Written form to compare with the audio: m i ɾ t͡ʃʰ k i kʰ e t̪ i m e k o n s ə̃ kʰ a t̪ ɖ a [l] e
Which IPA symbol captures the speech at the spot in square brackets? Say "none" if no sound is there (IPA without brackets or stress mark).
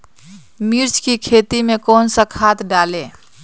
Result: l